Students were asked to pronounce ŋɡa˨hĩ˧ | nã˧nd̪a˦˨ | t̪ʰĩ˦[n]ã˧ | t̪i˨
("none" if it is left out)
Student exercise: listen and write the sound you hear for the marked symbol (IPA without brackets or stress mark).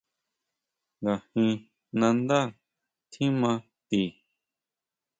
m